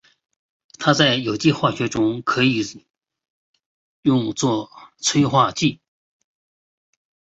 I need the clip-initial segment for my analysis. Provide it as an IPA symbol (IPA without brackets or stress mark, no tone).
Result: t̪ʰ